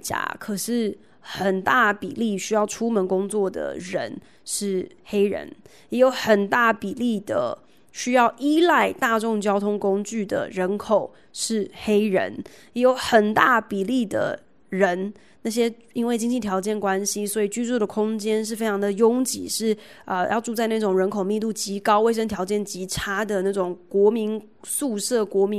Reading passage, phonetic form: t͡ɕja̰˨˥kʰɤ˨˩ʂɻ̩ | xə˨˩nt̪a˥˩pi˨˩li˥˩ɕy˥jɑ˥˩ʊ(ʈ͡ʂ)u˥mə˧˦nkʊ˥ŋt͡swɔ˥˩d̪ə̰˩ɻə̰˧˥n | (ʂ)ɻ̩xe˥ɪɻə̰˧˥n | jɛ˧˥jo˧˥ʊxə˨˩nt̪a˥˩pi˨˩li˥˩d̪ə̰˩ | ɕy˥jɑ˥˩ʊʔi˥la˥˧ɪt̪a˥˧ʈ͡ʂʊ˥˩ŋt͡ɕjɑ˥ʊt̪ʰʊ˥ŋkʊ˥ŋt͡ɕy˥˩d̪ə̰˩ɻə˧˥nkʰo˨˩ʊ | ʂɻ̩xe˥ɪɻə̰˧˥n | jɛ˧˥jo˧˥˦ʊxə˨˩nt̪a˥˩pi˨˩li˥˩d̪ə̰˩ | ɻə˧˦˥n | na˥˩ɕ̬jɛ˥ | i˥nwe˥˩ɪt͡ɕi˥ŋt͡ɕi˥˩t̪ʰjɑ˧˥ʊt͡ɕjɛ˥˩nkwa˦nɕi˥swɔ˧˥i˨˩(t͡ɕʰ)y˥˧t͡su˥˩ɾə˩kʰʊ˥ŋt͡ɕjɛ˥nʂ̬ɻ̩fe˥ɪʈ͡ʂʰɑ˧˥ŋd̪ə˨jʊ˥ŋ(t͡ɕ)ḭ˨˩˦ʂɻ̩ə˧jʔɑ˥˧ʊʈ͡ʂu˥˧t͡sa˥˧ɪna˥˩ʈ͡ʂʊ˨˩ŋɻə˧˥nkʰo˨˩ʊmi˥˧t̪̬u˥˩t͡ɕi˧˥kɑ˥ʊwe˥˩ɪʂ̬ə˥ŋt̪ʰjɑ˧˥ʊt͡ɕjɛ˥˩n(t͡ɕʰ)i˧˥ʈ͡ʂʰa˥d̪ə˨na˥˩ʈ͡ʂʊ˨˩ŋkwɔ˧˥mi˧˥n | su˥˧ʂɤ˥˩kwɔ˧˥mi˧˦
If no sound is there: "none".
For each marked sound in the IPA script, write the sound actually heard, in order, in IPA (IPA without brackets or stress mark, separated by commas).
ʈ͡ʂʰ, ʂ, t͡ɕ, t͡ɕ, t͡ɕ